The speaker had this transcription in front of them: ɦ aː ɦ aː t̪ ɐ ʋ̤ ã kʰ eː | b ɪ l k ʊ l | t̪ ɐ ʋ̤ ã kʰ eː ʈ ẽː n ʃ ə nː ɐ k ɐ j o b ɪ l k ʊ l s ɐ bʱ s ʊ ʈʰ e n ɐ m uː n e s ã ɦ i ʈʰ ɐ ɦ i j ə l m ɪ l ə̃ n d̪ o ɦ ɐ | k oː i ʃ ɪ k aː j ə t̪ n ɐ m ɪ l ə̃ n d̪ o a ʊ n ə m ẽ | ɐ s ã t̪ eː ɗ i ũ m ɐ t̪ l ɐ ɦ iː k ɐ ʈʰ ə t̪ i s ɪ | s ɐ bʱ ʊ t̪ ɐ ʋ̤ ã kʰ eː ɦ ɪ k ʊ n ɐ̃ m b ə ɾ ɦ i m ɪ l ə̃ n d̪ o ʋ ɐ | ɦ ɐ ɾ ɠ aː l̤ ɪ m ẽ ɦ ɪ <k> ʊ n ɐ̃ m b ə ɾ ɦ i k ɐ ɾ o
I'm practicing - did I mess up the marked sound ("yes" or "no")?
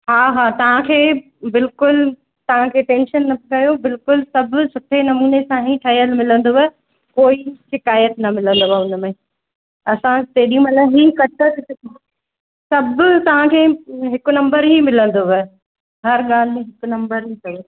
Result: no